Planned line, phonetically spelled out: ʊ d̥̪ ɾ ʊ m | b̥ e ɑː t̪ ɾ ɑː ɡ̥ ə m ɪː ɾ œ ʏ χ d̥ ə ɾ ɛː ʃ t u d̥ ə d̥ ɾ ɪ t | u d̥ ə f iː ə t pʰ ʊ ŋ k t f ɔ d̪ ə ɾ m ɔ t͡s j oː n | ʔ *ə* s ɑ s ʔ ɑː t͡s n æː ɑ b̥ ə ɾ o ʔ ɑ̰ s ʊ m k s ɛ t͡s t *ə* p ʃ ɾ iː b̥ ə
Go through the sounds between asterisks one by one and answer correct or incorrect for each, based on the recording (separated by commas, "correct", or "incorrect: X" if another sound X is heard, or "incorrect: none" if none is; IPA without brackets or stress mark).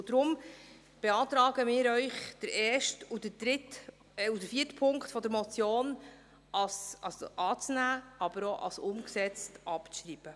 incorrect: ɑ, incorrect: ɑ